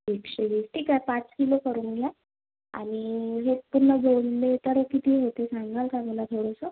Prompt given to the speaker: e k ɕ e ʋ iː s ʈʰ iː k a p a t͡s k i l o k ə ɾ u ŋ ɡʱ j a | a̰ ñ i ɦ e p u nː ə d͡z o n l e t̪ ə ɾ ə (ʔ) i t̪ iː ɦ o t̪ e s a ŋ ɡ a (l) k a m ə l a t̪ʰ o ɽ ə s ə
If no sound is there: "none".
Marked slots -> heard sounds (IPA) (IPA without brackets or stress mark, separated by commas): k, l